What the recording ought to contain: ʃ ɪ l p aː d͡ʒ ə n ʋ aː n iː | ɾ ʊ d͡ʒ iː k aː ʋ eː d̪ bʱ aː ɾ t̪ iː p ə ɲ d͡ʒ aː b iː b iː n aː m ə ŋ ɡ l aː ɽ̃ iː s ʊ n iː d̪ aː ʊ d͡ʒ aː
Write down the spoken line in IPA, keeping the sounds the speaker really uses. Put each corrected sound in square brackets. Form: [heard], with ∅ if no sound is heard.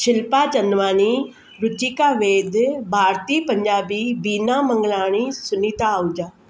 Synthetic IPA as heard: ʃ ɪ l p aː d͡ʒ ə n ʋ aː n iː | ɾ ʊ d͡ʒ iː k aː ʋ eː d̪ bʱ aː ɾ t̪ iː p ə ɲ d͡ʒ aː b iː b iː n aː m ə ŋ ɡ l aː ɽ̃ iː s ʊ n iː [t̪] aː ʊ d͡ʒ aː